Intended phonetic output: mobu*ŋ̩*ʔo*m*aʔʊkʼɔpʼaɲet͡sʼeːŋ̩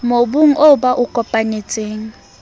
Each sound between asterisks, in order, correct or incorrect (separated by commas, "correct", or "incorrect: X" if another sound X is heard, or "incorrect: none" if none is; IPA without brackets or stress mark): correct, incorrect: b